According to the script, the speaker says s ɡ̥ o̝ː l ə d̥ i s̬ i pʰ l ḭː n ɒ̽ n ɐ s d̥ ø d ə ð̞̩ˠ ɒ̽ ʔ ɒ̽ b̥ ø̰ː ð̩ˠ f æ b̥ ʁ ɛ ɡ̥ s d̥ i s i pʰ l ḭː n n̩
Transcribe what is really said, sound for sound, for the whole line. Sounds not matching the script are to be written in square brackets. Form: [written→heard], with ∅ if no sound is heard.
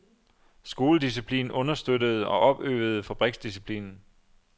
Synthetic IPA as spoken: s ɡ̥ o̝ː l ə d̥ i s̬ i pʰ l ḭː n [ɒ̽→ɔ̽] n ɐ s d̥ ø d ə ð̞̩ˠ ɒ̽ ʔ ɒ̽ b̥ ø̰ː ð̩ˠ f æ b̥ ʁ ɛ ɡ̥ s d̥ i s i pʰ l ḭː n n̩